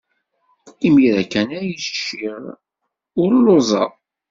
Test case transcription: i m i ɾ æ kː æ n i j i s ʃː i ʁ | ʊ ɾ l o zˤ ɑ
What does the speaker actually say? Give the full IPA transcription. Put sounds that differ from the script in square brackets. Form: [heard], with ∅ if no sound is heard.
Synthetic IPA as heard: i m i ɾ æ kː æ n [æ] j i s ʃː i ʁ | ʊ ɾ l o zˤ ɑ